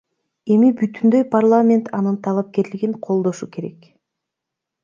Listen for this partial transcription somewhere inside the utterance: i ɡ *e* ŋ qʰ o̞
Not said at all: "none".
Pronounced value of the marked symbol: i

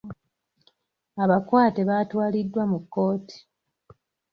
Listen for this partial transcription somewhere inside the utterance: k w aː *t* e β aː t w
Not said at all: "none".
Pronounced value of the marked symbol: t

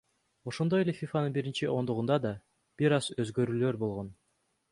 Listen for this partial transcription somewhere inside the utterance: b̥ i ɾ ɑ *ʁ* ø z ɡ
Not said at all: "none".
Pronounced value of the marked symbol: z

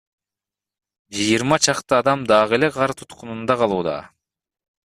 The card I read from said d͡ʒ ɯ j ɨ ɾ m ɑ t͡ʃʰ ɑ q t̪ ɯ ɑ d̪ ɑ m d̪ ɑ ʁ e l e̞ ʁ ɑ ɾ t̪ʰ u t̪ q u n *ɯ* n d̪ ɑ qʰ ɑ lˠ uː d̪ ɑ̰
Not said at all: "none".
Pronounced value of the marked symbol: u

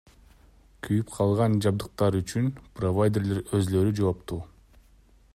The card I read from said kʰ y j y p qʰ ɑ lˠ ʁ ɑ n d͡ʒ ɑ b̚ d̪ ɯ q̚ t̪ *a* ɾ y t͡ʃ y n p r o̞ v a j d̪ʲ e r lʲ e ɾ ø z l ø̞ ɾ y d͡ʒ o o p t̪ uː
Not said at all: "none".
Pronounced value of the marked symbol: ɑ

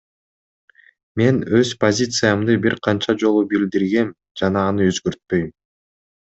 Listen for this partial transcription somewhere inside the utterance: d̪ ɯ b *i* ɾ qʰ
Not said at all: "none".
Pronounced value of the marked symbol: i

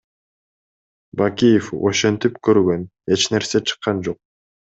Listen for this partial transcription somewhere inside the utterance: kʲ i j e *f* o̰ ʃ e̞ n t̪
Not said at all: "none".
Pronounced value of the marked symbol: f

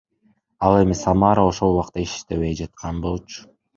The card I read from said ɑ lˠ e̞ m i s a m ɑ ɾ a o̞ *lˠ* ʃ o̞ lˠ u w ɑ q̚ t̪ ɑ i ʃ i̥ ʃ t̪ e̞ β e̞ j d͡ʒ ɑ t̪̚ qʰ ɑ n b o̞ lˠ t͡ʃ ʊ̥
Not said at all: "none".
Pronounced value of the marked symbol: none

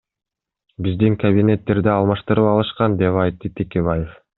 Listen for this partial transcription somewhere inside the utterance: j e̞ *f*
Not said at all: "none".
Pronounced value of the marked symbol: f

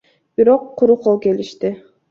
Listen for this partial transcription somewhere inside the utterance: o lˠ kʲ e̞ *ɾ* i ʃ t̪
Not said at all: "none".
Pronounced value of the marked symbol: l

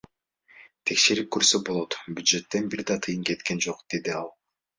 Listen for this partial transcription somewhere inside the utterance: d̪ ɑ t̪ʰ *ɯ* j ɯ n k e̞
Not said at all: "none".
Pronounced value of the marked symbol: ɯ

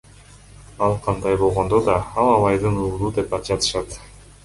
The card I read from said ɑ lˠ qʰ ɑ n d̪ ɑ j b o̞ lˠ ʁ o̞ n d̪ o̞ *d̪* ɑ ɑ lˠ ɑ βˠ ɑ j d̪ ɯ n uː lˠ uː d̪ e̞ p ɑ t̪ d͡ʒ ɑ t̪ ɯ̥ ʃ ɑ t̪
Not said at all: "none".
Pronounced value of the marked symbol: d̪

